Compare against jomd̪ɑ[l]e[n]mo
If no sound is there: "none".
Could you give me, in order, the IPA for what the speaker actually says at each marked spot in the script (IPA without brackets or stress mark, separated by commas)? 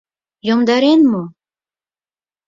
ɾ, n